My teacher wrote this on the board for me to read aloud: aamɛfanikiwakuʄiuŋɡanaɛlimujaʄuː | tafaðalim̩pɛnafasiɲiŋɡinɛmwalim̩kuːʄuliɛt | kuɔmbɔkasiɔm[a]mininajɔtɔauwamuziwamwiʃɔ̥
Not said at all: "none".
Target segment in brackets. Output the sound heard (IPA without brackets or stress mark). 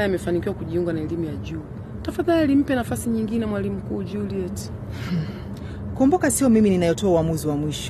i